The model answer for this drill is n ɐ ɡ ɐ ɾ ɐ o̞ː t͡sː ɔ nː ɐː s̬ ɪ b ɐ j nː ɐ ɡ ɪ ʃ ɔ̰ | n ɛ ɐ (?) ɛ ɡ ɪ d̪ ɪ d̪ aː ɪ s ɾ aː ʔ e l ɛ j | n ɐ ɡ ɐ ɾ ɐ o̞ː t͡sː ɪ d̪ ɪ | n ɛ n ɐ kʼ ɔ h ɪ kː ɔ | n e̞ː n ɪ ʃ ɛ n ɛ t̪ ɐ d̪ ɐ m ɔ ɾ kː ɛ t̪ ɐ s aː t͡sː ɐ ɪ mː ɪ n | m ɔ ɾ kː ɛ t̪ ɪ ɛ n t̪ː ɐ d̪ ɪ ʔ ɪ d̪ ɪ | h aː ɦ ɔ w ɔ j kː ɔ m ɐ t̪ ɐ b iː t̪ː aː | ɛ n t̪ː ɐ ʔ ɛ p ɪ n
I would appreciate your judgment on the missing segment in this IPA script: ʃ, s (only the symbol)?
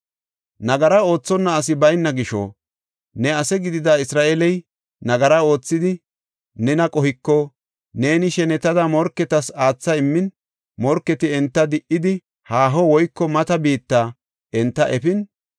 s